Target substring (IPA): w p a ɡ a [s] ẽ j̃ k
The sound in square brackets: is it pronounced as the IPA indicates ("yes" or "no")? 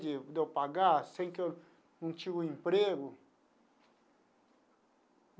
yes